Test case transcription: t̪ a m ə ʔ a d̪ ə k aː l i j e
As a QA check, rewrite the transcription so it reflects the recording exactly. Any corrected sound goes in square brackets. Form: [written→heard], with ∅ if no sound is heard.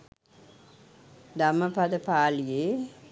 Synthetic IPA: [t̪→d̪] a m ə [ʔ→p] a d̪ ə [k→p] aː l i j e